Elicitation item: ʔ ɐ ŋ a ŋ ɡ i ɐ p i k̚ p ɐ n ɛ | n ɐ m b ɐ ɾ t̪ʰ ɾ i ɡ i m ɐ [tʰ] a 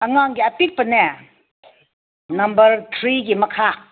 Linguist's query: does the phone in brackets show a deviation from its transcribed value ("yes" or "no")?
yes